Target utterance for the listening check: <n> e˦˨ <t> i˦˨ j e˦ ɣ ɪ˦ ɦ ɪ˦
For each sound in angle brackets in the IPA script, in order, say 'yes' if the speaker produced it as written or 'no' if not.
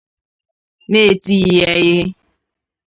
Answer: yes, yes

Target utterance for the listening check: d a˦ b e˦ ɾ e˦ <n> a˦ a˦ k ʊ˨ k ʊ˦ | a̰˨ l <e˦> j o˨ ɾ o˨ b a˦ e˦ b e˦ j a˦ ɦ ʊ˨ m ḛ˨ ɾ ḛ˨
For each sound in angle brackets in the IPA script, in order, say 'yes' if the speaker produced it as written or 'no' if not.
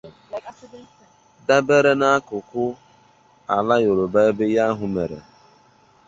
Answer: yes, no

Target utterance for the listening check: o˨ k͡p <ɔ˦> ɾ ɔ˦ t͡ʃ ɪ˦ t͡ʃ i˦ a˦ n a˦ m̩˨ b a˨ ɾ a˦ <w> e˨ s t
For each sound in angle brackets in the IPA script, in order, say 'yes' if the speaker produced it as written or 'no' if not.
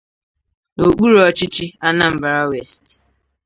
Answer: no, yes

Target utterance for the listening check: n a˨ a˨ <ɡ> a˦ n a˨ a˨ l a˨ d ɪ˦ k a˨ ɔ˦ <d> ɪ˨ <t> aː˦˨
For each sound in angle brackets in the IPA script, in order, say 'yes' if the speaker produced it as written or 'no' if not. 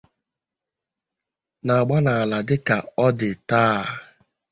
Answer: no, yes, yes

